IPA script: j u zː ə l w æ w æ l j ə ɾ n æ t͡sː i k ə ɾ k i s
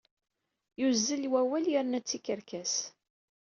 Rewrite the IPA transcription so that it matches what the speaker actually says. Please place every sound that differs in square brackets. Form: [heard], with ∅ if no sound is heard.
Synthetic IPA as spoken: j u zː ə l w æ w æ l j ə ɾ n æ t͡sː i k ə ɾ k [æ] s